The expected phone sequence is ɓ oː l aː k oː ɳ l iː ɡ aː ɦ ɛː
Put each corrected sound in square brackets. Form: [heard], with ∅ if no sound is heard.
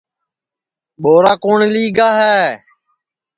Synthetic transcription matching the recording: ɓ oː [ɾ] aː k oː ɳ l iː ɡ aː ɦ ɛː